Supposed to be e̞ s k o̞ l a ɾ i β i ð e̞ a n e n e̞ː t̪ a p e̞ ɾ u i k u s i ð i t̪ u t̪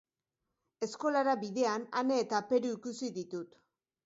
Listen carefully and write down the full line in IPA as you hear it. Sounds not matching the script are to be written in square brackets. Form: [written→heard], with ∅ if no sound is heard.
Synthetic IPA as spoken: e̞ s k o̞ l a ɾ [i→a] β i ð e̞ a n [e→a] n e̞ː t̪ a p e̞ ɾ u i k u s i ð i t̪ u t̪